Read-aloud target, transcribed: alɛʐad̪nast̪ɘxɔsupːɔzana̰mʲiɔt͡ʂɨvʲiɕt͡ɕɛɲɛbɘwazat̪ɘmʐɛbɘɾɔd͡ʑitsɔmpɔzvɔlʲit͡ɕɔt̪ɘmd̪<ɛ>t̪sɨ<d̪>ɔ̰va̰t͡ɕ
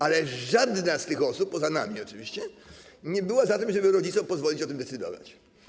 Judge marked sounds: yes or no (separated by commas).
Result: yes, yes